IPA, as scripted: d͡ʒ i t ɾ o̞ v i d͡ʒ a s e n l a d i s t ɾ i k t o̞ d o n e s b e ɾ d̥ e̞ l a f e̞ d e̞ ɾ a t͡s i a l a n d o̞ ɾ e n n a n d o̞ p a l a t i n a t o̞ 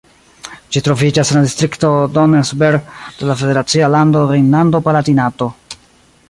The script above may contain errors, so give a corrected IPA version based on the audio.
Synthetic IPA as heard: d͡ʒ i t ɾ o̞ v i d͡ʒ a s e n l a d i s t ɾ i k t o̞ d o n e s b e ɾ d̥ e̞ l a f e̞ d e̞ ɾ a t͡s i a l a n d o̞ ɾ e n n a n d o̞ p a l a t i n a t o̞